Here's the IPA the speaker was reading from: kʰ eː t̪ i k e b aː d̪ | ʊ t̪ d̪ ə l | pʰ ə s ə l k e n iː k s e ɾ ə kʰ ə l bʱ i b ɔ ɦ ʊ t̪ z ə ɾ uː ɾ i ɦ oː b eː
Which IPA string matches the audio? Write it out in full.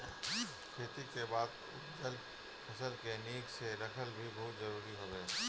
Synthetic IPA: kʰ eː t̪ i k e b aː d̪ | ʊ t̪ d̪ ə l | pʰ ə s ə l k e n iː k s e ɾ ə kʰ ə l bʱ i b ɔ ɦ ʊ t̪ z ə ɾ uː ɾ i ɦ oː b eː